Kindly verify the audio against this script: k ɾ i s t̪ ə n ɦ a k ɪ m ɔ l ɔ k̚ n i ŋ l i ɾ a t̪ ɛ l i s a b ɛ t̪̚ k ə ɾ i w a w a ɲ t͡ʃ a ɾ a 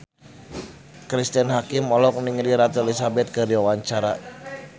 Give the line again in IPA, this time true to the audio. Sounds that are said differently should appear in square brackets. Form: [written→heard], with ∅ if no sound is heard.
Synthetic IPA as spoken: k ɾ i s t̪ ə n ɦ a k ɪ m ɔ l ɔ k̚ n i ŋ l i ɾ a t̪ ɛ l i s a b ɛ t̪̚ k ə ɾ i w a w a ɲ t͡ʃ a ɾ a